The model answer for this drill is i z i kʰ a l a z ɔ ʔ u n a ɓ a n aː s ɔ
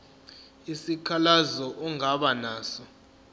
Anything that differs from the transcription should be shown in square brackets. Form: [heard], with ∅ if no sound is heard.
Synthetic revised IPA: i [s] i kʰ a l a z ɔ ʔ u [ŋ] a ɓ a n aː s ɔ